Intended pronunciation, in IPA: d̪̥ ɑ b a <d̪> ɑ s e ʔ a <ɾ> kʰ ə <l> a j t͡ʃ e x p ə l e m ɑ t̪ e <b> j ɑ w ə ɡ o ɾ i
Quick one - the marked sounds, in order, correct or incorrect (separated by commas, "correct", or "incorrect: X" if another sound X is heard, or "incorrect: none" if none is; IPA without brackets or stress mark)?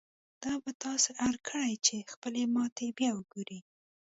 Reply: incorrect: t̪, correct, incorrect: ɽ, correct